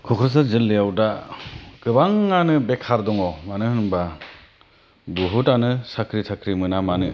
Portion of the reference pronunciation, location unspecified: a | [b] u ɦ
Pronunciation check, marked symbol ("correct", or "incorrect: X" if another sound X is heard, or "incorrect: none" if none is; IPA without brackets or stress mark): correct